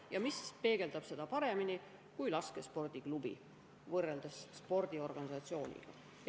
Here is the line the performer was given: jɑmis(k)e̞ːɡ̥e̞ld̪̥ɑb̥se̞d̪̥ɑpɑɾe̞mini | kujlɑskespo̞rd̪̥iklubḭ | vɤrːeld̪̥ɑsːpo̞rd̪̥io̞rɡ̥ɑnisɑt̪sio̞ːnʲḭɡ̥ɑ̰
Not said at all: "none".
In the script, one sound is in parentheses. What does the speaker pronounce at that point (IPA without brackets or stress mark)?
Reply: p